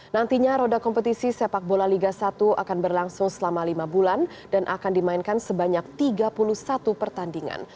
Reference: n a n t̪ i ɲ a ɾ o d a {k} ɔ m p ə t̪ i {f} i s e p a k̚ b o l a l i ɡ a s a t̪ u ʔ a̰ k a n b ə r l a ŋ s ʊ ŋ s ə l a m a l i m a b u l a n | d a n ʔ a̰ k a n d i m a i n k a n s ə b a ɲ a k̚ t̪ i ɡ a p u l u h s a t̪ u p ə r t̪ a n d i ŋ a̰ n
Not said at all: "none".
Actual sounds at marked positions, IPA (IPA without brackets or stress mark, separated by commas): k, s